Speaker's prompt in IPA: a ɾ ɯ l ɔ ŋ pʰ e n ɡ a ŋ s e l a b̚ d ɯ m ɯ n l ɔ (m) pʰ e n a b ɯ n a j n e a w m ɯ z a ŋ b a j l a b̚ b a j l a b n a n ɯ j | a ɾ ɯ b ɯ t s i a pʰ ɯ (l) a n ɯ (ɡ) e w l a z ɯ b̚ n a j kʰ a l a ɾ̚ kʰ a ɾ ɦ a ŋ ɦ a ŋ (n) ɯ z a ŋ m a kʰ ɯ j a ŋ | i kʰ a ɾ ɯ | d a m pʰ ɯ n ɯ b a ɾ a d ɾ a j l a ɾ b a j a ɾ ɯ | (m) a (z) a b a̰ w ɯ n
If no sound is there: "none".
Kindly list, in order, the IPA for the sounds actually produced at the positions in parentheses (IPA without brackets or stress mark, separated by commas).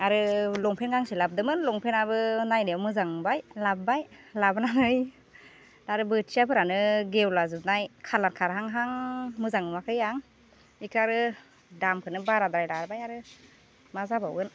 ŋ, ɾ, ɡ, m, m, z